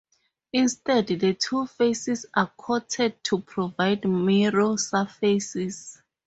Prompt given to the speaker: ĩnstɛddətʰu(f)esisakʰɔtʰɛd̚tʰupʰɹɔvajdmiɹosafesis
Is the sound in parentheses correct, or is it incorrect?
correct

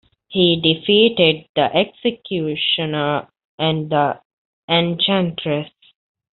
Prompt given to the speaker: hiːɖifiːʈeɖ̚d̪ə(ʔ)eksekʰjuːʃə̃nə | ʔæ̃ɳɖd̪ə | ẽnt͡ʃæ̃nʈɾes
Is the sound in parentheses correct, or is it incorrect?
correct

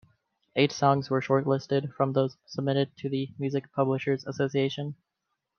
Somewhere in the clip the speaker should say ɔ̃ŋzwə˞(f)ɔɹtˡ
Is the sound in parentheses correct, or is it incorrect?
incorrect: ʃ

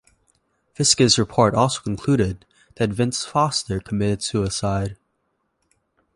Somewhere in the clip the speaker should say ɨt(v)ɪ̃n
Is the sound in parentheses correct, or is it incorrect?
correct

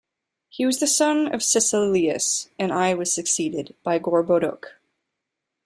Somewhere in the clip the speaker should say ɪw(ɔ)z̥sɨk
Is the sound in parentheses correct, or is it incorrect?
incorrect: ʌ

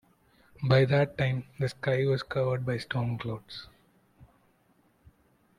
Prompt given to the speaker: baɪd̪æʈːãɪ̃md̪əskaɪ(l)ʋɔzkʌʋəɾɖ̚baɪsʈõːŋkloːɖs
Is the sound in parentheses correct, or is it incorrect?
incorrect: none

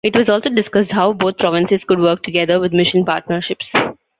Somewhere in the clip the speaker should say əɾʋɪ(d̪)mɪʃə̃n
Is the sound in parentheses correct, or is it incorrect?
correct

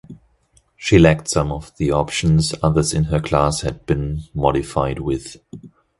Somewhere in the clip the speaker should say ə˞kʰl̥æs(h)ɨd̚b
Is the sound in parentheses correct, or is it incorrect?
correct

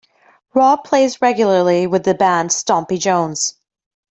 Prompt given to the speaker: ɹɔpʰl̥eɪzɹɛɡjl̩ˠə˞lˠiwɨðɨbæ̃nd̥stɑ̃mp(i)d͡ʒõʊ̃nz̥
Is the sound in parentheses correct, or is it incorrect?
correct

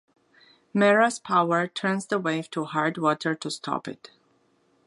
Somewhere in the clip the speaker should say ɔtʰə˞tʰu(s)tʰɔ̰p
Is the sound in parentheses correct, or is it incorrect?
correct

